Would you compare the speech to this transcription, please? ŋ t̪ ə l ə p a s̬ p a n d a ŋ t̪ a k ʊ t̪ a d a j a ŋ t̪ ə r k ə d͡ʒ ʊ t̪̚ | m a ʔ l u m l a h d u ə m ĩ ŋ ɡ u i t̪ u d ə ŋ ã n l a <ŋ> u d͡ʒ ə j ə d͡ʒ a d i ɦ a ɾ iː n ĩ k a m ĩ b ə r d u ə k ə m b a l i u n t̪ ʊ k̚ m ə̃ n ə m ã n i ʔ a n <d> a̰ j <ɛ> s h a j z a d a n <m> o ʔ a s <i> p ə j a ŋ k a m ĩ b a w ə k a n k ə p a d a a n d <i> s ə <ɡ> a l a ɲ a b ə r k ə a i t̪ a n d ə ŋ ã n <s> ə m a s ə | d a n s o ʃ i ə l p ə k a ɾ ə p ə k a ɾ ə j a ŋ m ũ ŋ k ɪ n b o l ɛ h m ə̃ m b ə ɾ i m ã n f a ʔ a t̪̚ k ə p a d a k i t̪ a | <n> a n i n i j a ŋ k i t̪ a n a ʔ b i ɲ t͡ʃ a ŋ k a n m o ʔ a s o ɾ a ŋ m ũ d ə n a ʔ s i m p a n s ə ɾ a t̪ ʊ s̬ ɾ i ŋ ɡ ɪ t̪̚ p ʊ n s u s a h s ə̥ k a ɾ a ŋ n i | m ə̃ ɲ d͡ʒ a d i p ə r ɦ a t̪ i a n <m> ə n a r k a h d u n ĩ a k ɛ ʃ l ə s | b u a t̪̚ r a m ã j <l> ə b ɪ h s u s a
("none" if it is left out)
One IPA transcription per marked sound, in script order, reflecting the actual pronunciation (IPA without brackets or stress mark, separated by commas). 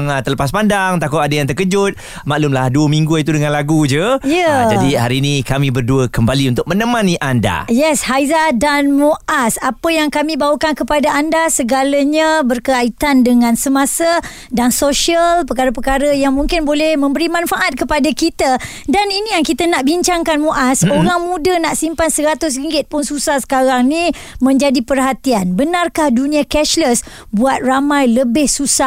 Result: ɡ, d, ɛ, m, a, a, ɡ, s, d, b, l